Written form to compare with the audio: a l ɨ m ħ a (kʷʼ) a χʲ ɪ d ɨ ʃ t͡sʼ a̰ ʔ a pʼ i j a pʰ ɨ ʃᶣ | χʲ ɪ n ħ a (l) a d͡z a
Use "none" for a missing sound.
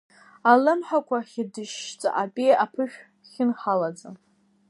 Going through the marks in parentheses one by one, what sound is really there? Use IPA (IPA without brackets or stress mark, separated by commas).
kʷ, l